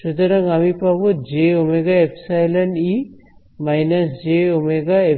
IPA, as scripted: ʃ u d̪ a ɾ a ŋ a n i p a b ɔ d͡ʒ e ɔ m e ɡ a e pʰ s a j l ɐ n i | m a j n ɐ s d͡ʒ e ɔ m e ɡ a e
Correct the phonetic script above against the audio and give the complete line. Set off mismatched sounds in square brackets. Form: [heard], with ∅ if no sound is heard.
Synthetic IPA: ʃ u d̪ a ɾ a ŋ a [m] i p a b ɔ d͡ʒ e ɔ m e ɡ a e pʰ s a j l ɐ n i | m a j n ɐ s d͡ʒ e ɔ m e ɡ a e